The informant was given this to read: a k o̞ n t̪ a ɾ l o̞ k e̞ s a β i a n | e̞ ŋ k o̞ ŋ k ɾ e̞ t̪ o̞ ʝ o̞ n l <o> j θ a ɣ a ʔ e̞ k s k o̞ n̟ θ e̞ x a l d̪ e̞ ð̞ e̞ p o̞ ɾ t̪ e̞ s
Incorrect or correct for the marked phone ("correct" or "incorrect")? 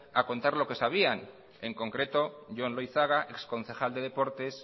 correct